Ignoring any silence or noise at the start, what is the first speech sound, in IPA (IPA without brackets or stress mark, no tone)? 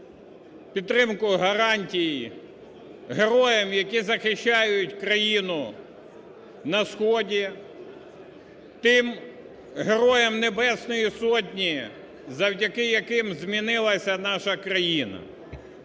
pʲ